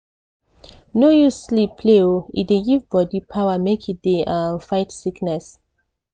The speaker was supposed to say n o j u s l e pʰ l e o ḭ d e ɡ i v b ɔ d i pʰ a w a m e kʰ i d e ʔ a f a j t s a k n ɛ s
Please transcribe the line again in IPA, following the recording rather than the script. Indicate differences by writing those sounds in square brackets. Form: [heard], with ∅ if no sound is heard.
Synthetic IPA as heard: n o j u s l [i] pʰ l e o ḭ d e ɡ i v b ɔ d i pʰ a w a m e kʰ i d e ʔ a f a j t s [i] k n ɛ s